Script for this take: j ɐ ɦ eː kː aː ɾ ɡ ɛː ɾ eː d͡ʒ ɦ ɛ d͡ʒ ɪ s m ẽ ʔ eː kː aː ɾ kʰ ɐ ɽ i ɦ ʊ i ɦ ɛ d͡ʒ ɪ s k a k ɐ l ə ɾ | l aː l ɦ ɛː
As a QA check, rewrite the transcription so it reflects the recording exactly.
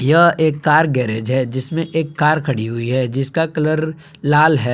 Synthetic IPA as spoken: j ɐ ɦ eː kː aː ɾ ɡ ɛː ɾ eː d͡ʒ ɦ ɛ d͡ʒ ɪ s m ẽ ʔ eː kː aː ɾ kʰ ɐ ɽ i ɦ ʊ i ɦ ɛ d͡ʒ ɪ s k a k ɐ l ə ɾ | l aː l ɦ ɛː